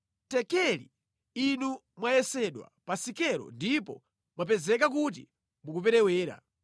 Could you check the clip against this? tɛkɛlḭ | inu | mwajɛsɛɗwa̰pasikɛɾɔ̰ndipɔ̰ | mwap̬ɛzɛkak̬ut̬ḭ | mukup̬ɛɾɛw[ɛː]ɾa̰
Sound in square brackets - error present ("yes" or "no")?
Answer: no